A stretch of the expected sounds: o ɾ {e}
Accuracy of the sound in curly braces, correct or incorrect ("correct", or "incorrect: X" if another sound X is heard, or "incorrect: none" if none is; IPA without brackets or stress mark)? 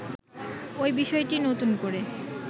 correct